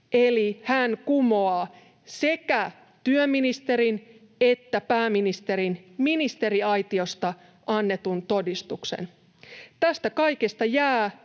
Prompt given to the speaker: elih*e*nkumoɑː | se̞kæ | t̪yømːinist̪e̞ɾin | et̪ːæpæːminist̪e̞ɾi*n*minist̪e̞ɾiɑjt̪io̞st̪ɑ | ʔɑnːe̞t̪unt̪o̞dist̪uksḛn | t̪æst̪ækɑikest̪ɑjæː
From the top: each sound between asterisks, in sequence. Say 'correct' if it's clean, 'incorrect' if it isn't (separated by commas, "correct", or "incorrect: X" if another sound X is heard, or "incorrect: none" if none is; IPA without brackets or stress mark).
incorrect: æ, correct